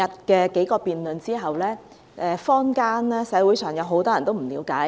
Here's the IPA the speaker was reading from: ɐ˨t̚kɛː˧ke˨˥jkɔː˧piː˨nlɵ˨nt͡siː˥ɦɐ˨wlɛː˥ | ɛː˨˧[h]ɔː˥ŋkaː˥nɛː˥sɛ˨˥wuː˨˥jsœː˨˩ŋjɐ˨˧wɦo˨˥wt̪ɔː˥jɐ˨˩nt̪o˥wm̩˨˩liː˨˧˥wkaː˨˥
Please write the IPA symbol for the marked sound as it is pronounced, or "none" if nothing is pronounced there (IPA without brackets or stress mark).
f